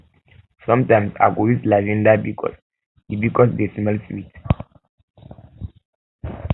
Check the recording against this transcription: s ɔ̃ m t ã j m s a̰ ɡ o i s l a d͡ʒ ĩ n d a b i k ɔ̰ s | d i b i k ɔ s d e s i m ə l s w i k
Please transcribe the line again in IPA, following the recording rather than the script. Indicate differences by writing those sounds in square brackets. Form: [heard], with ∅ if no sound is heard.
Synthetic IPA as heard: s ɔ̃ m t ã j m s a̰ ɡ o i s l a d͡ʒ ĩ n d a b i k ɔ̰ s | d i b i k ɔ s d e s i m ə l s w i [t]